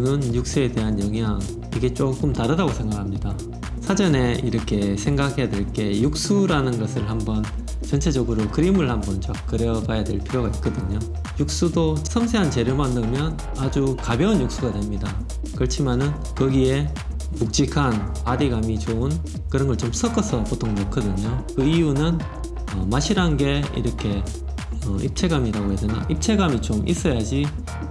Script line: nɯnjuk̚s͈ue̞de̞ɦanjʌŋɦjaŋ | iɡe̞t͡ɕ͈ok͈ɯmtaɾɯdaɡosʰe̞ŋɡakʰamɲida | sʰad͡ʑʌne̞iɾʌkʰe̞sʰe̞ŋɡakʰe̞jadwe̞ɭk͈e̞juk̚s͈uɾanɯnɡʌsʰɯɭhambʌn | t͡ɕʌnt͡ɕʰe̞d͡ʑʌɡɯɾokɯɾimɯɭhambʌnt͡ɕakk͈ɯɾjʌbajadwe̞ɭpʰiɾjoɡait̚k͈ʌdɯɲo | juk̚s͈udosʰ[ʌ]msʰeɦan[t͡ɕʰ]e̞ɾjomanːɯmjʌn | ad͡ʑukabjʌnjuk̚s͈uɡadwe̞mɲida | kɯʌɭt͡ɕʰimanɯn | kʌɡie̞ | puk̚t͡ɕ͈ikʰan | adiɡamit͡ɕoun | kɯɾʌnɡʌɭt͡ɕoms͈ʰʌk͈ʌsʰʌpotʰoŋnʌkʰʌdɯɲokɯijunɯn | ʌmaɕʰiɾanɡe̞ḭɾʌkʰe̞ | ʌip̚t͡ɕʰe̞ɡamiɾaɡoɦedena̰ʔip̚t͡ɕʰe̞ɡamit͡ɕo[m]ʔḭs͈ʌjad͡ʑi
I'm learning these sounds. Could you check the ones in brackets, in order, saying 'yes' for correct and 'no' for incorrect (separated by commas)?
yes, no, yes